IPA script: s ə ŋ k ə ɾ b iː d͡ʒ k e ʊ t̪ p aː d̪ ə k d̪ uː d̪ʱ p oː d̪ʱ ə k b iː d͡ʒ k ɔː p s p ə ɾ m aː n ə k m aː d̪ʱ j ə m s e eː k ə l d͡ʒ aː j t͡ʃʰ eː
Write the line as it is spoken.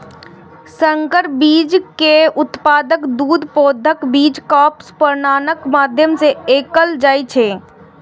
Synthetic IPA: s ə ŋ k ə ɾ b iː d͡ʒ k e ʊ t̪ p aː d̪ ə k d̪ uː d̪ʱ p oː d̪ʱ ə k b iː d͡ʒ k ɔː p s p ə ɾ n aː n ə k m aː d̪ʱ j ə m s e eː k ə l d͡ʒ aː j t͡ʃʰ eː

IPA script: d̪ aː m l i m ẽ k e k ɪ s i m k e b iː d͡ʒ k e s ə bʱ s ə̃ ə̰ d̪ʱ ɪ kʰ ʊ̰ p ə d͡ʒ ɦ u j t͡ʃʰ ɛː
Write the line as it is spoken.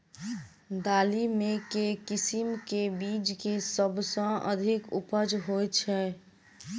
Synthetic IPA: d̪ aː l i m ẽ k e k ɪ s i m k e b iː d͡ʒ k e s ə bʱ s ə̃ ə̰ d̪ʱ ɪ k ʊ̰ p ə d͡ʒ ɦ o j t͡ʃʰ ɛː

